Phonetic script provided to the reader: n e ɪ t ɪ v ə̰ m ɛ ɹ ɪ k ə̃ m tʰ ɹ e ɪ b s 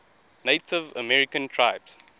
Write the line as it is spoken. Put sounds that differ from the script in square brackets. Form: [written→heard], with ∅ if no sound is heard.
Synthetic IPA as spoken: n e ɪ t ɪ v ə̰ m ɛ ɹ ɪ k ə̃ [m→n] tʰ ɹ [e→a] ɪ b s

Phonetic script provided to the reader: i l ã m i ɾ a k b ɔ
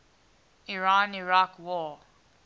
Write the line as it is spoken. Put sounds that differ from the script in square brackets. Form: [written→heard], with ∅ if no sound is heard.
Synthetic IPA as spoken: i [l→ɹ] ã [m→n] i [ɾ→ɹ] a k [b→w] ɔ

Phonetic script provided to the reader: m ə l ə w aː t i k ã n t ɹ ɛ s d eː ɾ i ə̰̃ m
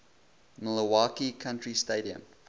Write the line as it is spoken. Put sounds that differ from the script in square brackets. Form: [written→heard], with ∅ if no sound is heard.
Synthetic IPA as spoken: m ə l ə w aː [t→k] i [k→kʰ] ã n t ɹ [ɛ→i] s [d→t] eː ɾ i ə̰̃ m

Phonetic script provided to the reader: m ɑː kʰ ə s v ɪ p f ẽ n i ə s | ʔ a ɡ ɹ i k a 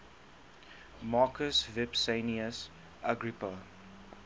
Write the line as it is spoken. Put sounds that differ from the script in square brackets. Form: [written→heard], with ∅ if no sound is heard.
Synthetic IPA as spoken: m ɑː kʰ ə s v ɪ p [f→s] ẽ n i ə s | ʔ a ɡ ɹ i [k→p] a

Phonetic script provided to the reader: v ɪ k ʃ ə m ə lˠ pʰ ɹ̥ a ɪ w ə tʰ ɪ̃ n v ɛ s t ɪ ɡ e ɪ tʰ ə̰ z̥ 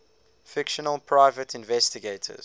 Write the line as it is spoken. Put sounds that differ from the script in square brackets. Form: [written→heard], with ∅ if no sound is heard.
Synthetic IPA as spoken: [v→f] ɪ k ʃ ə [m→n] ə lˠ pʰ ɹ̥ a ɪ [w→v] ə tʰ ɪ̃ n v ɛ s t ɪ ɡ e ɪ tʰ ə̰ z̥

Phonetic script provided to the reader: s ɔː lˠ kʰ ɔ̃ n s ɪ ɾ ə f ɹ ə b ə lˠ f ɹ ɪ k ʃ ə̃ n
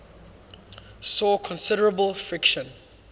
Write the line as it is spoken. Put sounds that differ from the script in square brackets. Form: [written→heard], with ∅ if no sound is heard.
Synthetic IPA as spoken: s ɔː [lˠ→∅] kʰ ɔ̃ n s ɪ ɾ ə [f→∅] ɹ ə b ə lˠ f ɹ ɪ k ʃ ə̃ n

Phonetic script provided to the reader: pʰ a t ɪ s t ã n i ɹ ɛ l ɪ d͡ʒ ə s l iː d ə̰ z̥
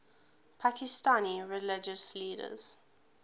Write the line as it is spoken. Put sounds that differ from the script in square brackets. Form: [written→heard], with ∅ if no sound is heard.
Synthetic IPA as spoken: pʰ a [t→k] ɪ s t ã n i ɹ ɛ l ɪ d͡ʒ ə s l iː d ə̰ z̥

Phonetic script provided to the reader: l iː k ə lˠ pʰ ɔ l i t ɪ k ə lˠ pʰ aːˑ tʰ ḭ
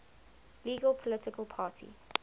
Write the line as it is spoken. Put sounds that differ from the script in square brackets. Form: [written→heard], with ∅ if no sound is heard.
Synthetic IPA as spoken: l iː [k→ɡ] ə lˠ pʰ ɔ l [i→ɪ] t ɪ k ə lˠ pʰ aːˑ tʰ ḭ

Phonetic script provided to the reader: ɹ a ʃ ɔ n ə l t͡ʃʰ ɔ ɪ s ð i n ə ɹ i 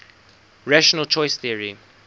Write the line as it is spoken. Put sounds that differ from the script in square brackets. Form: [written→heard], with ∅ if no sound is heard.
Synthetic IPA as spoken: ɹ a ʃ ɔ n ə l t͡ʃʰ ɔ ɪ s [ð→θ] i [n→∅] ə ɹ i

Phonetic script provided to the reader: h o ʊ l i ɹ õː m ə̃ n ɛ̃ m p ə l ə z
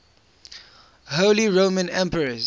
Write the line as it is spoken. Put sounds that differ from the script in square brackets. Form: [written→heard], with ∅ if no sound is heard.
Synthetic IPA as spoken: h o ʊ l i ɹ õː m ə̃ n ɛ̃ m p ə [l→ɹ] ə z

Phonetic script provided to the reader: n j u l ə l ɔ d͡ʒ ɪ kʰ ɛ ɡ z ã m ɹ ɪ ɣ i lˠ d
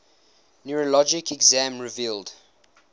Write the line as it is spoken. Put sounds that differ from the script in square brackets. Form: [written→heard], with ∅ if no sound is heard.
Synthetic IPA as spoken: n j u [l→ɹ] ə l ɔ d͡ʒ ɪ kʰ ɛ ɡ z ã m ɹ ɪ [ɣ→v] i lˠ d

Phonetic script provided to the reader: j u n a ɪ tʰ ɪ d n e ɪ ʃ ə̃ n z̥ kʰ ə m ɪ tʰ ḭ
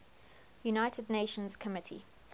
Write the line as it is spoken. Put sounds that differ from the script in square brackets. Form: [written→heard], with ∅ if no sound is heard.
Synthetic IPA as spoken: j u n a ɪ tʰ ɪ d n e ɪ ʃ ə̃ n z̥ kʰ ə m ɪ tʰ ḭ

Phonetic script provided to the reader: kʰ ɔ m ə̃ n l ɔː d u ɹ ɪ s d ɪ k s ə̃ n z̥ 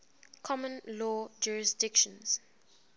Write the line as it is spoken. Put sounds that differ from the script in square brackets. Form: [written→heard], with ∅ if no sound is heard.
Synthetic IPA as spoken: kʰ ɔ m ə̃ n l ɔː [d→d͡ʒ] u ɹ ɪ s d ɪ k [s→ʃ] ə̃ n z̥

